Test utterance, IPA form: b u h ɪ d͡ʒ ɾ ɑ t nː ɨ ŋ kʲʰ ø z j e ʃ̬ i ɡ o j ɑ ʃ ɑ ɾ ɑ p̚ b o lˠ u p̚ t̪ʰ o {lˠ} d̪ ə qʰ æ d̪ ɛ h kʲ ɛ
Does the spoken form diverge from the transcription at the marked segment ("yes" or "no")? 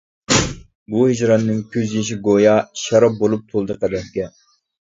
no